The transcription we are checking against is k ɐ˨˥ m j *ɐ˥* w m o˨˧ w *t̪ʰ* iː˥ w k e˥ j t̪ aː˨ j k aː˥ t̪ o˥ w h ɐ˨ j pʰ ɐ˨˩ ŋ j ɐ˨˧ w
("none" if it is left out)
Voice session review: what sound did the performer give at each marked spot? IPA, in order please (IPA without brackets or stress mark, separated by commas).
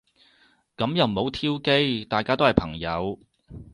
ɐ˨, t̪ʰ